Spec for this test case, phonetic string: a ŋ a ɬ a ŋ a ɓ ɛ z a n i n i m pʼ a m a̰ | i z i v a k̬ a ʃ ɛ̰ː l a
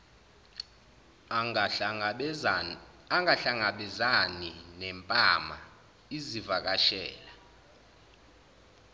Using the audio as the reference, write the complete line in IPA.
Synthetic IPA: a ŋ a ɬ a ŋ a ɓ ɛ z a n i n ɛ m pʼ a m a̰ | i z i v a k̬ a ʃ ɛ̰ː l a